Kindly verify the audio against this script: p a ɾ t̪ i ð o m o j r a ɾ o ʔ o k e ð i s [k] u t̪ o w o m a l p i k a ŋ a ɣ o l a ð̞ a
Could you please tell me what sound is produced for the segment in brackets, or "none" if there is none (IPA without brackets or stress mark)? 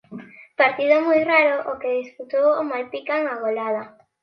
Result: p